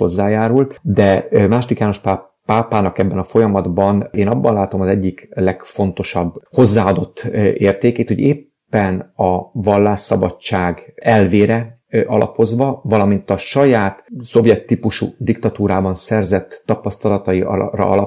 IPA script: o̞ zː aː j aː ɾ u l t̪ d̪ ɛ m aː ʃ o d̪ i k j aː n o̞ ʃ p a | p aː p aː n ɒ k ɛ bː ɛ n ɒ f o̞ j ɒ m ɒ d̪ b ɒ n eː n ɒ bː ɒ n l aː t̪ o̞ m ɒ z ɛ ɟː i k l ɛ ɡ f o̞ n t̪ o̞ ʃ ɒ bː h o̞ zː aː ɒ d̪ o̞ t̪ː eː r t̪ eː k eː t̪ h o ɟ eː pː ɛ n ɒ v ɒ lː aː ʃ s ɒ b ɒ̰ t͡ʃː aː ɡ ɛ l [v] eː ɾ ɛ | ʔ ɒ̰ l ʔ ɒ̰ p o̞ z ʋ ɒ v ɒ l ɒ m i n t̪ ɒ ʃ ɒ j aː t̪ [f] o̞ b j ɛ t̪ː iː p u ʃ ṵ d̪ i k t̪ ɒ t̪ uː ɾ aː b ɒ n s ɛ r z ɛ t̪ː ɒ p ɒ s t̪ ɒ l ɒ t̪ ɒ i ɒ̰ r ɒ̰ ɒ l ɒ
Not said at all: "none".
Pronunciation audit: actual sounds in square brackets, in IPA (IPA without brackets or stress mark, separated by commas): v, s